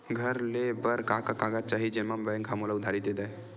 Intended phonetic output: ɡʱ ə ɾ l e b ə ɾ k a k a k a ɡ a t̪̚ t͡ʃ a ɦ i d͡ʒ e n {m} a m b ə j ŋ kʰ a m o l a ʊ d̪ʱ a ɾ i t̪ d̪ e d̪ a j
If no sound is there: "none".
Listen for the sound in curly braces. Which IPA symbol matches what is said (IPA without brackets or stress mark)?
m